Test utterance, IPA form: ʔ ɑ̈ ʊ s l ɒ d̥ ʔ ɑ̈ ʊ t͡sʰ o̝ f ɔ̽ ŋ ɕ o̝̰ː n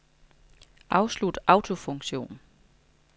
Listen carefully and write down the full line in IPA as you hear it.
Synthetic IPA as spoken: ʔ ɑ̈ ʊ s l u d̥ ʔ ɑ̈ ʊ t͡sʰ o̝ f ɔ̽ ŋ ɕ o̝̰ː n